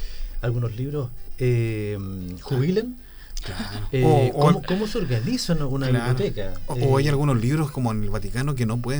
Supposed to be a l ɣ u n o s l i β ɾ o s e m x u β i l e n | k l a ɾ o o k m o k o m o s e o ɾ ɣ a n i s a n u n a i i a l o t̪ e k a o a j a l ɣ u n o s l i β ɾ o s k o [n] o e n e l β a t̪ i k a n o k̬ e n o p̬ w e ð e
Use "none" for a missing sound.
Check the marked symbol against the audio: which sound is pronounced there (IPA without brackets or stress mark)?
m